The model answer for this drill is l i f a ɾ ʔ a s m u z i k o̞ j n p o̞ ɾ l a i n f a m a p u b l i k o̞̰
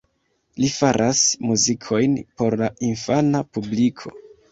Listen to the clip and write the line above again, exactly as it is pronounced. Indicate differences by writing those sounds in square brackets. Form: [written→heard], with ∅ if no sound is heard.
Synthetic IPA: l i f a ɾ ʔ a s m u z i [k→kʰ] o̞ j n p o̞ ɾ l a i n f a [m→n] a p u b l i [k→kʰ] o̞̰

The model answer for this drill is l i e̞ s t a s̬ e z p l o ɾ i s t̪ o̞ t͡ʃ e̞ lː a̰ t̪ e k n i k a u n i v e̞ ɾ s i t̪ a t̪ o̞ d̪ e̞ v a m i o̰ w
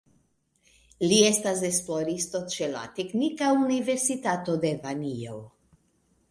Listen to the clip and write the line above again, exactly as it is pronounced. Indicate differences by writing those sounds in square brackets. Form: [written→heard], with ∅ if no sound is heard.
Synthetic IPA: l i e̞ s t a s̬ e [z→s] p l o ɾ i s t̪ o̞ t͡ʃ e̞ [lː→l] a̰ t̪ e k n i k a u n i v e̞ ɾ s i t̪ a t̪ o̞ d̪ e̞ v a [m→n] i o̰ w

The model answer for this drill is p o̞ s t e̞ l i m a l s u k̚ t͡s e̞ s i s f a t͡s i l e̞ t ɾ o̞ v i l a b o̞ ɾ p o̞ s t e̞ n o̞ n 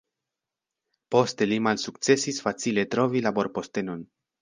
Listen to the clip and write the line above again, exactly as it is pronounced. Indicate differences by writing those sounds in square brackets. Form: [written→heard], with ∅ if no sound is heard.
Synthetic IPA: p o̞ s t e̞ l i m a l s u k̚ t͡s e̞ s i s f a t͡s i l e̞ t ɾ o̞ v i l a b o̞ ɾ p o̞ s t e̞ n o̞ n

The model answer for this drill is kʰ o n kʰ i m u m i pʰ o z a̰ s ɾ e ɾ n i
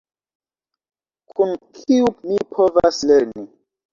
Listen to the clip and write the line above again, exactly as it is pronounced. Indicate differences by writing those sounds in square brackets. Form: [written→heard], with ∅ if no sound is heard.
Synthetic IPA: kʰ [o→u] n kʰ i [m→∅] u m i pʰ o [z→v] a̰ s [ɾ→l] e ɾ n i

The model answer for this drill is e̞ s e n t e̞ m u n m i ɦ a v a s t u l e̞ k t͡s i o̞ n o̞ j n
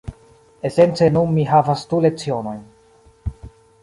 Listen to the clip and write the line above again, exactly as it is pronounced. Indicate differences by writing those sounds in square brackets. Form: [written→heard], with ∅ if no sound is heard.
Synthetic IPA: e̞ s e n [t→t͡s] e̞ [m→n] u n m i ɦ a v a s t u l e̞ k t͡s i o̞ n o̞ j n

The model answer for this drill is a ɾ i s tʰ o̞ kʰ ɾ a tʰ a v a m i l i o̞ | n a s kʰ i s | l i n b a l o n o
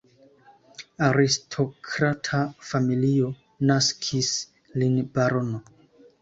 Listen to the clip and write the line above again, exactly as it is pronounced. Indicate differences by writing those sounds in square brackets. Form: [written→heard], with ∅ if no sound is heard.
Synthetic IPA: a ɾ i s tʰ o̞ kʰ ɾ a tʰ a [v→f] a m i l i o̞ | n a s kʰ i s | l i n b a [l→ɾ] o n o

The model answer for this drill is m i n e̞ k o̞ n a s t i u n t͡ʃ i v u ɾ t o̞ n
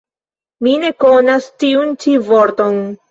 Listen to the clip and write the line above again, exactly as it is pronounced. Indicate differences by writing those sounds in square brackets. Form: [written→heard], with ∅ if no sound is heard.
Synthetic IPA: m i n e̞ k o̞ n a s t i u n t͡ʃ i v [u→o] ɾ t o̞ n

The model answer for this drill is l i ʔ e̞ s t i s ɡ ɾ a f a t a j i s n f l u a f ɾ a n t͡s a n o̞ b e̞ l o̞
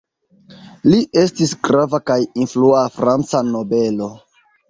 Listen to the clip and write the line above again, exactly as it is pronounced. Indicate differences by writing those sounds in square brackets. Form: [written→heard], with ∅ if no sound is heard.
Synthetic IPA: l i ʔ e̞ s t i s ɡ ɾ a [f→v] a [t→k] a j i [s→∅] n f l u a f ɾ a n t͡s a n o̞ b e̞ l o̞

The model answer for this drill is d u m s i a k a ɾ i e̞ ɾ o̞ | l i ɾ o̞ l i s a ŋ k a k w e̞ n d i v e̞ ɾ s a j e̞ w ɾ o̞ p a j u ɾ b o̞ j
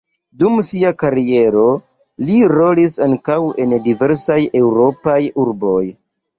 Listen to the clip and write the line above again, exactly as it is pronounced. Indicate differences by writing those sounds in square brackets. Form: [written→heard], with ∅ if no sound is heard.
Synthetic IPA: d u m s i a k a ɾ i e̞ ɾ o̞ | l i ɾ o̞ l i s a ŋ k a [k→∅] w e̞ n d i v e̞ ɾ s a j e̞ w ɾ o̞ p a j u ɾ b o̞ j

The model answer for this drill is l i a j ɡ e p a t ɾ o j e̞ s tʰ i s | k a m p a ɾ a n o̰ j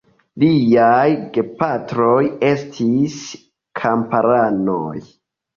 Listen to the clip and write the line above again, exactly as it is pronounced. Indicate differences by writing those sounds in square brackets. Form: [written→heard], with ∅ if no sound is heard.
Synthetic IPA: l i a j ɡ e p a t ɾ o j e̞ s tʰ i s | [k→kʰ] a m p a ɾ a n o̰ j

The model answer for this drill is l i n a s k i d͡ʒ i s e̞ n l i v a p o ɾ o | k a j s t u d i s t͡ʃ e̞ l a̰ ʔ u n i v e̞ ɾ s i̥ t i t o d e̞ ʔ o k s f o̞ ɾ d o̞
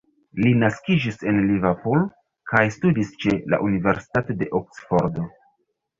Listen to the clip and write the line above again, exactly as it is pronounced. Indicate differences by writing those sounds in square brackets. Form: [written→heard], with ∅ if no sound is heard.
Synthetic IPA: l i n a s k i d͡ʒ i s e̞ n l i v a p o [ɾ→l] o | k a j s t u d i s t͡ʃ e̞ l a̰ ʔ u n i v e̞ ɾ s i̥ t [i→a] t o d e̞ ʔ o k s f o̞ ɾ d o̞

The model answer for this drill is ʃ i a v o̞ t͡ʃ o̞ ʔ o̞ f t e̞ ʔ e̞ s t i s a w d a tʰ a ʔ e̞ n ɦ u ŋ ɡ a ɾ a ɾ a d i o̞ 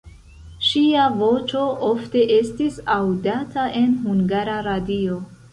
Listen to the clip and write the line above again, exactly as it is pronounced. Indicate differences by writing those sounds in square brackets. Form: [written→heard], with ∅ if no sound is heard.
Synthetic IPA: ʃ i a v o̞ t͡ʃ o̞ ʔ o̞ f t e̞ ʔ e̞ s t i s a w d a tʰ a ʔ e̞ n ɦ u ŋ ɡ a ɾ a ɾ a d i o̞

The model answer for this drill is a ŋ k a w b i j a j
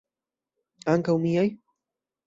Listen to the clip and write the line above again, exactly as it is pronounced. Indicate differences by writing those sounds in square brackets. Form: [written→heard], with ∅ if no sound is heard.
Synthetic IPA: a ŋ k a w [b→m] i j a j

